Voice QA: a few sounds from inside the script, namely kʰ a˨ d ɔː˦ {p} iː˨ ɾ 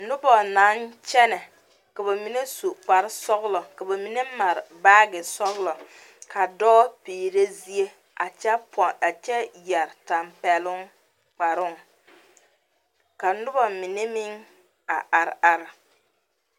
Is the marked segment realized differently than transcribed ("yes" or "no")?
no